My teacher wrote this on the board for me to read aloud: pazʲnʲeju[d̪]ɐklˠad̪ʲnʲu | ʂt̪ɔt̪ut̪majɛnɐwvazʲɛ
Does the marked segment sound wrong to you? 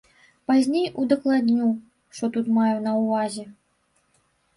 no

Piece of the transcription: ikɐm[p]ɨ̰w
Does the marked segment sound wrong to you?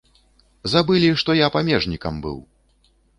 yes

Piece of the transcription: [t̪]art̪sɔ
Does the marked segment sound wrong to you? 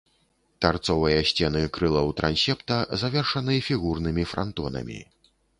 no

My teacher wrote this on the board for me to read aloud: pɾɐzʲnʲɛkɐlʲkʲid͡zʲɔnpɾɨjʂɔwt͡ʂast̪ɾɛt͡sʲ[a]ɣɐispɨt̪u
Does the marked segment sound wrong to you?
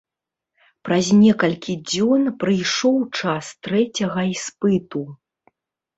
yes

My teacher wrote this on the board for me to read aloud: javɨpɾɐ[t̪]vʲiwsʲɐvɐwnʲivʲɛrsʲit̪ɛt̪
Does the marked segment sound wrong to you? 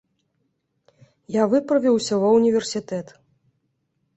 yes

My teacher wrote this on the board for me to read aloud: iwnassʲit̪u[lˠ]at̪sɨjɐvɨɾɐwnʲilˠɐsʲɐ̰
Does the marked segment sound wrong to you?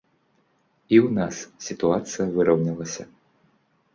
yes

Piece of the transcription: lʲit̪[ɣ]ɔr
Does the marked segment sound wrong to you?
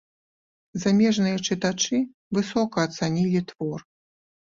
yes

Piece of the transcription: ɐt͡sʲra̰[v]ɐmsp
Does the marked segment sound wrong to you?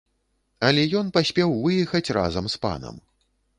yes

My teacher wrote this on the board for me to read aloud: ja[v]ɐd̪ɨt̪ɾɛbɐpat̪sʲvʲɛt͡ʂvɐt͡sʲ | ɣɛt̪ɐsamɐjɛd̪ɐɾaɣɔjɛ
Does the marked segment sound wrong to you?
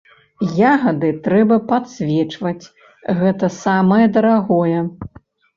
yes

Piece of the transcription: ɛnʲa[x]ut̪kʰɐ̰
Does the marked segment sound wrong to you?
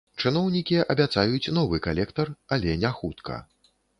no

